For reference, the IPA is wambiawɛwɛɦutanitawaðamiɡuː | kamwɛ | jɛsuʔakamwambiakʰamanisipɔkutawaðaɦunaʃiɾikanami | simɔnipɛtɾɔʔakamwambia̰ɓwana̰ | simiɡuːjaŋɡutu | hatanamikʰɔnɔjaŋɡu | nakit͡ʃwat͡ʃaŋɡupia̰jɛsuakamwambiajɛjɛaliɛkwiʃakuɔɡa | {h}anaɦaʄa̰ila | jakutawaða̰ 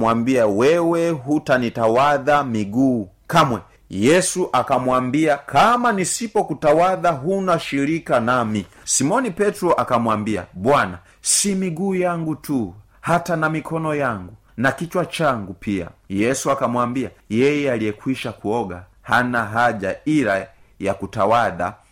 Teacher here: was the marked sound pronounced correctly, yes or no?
yes